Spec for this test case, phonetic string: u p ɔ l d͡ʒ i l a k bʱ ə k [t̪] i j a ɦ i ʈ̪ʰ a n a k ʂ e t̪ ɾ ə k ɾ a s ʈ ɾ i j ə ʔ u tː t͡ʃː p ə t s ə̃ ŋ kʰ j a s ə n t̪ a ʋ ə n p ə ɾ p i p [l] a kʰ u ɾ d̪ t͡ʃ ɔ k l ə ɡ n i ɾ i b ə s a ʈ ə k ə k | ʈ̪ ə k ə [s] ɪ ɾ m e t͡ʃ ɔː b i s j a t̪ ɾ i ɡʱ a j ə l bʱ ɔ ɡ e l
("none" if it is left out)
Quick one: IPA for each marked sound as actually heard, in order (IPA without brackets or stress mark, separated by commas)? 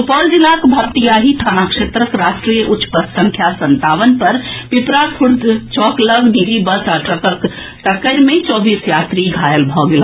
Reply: t̪, ɾ, none